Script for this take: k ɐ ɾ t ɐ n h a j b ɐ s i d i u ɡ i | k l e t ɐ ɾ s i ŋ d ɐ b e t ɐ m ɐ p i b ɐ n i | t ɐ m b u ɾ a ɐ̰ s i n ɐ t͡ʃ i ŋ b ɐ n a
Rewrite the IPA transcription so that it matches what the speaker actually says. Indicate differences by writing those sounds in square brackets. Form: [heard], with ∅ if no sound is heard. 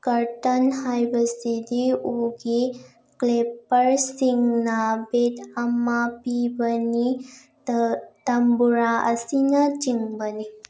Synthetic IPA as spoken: k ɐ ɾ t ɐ n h a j b ɐ s i d i u ɡ i | k l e [p] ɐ ɾ s i ŋ [n] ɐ b e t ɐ m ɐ p i b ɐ n i | t ɐ m b u ɾ a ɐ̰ s i n ɐ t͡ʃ i ŋ b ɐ n [i]